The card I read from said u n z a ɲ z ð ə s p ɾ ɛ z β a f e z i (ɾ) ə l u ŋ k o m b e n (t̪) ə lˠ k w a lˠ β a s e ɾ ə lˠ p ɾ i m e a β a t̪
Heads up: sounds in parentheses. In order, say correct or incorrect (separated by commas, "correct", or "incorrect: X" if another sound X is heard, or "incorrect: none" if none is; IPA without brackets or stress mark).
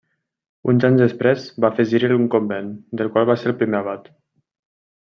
correct, incorrect: d̪